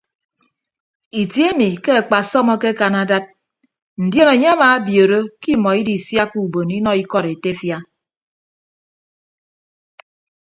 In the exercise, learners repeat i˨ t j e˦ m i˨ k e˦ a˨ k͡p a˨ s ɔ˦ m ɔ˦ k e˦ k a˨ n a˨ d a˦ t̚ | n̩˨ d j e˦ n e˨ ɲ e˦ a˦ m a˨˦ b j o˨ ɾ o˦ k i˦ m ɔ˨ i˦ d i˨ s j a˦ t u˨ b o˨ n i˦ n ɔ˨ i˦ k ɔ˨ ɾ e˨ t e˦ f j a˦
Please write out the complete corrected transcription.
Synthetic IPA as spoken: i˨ t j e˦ m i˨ k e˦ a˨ k͡p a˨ s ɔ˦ m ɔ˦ k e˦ k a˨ n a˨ d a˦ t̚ | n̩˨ d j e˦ n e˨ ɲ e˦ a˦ m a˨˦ b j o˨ ɾ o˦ k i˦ m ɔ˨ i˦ d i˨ s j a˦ k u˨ b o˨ n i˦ n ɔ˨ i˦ k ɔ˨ ɾ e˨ t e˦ f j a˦